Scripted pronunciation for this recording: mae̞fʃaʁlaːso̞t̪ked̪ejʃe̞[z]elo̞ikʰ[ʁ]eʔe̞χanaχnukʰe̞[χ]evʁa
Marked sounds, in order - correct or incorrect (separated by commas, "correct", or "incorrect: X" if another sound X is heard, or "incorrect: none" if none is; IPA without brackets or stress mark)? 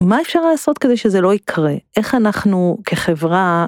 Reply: correct, correct, correct